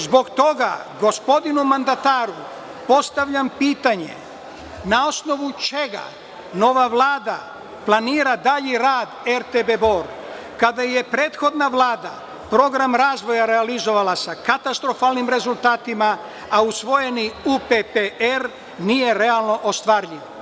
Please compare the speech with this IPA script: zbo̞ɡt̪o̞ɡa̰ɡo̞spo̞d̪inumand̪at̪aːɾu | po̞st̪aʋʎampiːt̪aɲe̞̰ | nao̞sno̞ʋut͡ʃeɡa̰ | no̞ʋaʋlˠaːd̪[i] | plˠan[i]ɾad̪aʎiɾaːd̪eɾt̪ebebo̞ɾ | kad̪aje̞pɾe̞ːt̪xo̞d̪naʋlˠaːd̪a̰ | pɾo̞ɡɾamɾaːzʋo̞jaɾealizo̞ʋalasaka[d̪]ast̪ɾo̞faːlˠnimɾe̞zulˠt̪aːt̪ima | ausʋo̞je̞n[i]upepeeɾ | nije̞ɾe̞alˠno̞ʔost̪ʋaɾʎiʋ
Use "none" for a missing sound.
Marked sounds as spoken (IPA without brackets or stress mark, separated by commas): a, iː, t̪, i